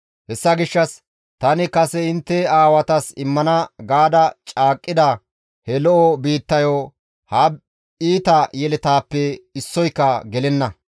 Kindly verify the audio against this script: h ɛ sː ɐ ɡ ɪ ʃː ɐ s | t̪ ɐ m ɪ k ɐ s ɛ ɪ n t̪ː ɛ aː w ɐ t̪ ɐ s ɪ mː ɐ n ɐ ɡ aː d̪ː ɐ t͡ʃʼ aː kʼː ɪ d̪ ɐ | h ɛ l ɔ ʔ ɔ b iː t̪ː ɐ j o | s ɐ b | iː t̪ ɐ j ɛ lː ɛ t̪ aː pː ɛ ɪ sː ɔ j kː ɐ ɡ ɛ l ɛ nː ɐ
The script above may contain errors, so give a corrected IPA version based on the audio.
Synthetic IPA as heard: h ɛ sː ɐ ɡ ɪ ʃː ɐ s | t̪ ɐ n ɪ k ɐ s ɛ ɪ n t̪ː ɛ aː w ɐ t̪ ɐ s ɪ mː ɐ n ɐ ɡ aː d̪ ɐ t͡ʃʼ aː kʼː ɪ d̪ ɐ | h ɛ l ɔ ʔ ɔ b iː t̪ː ɐ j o | h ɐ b | iː t̪ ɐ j ɛ l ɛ t̪ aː pː ɛ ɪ sː ɔ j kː ɐ ɡ ɛ l ɛ nː ɐ